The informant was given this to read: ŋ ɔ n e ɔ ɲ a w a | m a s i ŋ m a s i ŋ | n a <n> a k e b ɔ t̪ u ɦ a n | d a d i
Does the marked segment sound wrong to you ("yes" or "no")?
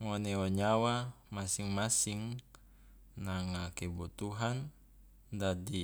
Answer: yes